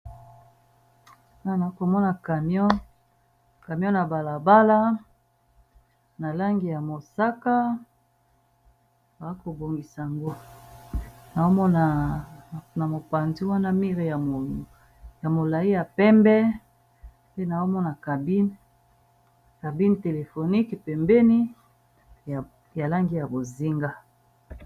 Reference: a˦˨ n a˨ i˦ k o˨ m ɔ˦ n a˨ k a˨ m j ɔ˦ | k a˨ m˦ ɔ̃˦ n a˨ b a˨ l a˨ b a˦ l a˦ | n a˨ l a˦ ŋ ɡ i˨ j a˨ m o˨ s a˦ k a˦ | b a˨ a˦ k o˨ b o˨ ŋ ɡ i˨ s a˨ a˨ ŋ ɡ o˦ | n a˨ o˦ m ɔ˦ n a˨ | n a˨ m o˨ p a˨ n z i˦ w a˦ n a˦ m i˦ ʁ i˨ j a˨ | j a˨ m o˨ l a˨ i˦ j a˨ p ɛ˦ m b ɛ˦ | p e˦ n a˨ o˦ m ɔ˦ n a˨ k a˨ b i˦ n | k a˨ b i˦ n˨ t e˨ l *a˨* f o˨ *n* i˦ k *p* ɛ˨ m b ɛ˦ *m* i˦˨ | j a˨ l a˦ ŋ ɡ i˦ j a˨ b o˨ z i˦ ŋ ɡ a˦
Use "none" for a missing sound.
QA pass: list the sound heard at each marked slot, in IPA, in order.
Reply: e˨, n, p, n

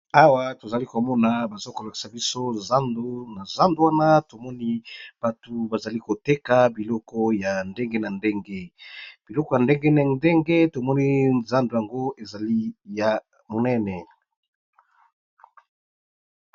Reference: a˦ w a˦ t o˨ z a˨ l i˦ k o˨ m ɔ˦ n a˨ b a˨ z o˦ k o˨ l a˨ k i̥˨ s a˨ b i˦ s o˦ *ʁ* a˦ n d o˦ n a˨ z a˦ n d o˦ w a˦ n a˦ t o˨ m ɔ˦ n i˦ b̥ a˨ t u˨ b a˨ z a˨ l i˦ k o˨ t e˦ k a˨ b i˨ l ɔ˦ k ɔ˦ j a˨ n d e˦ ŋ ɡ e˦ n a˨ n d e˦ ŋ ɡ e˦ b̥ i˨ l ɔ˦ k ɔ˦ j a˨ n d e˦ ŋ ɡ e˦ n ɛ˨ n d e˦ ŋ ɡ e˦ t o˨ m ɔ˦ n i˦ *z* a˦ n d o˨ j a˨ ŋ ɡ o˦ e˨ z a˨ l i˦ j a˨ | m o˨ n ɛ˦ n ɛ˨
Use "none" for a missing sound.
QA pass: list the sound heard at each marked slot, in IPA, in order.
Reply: z, z

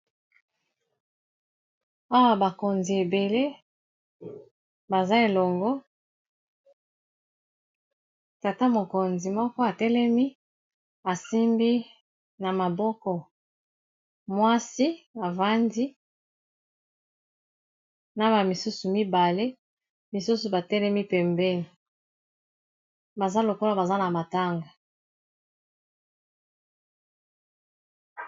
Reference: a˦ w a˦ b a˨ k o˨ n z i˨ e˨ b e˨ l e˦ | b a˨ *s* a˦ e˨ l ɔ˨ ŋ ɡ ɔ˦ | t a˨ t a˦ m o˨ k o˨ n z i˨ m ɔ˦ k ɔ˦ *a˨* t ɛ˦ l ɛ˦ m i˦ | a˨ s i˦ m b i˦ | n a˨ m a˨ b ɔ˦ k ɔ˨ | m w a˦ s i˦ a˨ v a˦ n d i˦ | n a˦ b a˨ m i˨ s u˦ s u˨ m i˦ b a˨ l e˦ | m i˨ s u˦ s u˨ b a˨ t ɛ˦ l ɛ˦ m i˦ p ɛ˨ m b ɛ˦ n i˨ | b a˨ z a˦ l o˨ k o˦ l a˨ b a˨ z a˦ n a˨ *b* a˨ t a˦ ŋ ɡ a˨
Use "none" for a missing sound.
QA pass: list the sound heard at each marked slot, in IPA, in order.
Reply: z, a˨, m

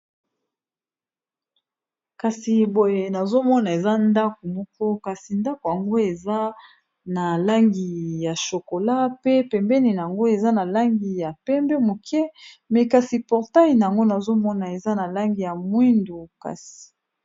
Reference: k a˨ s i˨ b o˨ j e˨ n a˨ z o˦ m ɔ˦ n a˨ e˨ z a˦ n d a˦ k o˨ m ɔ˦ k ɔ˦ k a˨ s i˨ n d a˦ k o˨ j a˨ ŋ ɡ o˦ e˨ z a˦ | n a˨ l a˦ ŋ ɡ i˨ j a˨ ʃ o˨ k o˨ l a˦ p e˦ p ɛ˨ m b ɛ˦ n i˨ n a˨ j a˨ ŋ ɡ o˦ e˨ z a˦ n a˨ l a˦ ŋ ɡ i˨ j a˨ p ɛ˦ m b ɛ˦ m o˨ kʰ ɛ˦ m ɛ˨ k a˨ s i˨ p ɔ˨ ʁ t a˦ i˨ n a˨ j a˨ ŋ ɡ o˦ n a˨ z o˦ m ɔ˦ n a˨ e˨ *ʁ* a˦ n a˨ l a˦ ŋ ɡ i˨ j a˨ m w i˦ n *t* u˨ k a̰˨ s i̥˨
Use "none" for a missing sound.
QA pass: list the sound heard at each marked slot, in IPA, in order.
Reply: z, d

